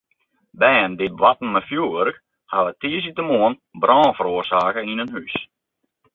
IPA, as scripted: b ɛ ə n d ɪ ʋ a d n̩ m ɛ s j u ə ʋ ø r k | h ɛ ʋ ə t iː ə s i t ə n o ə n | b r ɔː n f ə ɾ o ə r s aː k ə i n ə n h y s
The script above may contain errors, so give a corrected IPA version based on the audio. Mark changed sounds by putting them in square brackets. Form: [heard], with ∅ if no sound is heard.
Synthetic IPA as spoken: b ɛ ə n d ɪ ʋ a [t] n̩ m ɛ [f] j u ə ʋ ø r k | h [a] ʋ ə t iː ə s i t ə [m] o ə n | b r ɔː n f ə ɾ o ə r s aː k ə i n ə n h y s